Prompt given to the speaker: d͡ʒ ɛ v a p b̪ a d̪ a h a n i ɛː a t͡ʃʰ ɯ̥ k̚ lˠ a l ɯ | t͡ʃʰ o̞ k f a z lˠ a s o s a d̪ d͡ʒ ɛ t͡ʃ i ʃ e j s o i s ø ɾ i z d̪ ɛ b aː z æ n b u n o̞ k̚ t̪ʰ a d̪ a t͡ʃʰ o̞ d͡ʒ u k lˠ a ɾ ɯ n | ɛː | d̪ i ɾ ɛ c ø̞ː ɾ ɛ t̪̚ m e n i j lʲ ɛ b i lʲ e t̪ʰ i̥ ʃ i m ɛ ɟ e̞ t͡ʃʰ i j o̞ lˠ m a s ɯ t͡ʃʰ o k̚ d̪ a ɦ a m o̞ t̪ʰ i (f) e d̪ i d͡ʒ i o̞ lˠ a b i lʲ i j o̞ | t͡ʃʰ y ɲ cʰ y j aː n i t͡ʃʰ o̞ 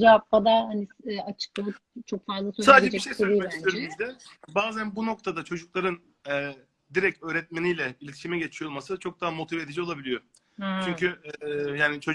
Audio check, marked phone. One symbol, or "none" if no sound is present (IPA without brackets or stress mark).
v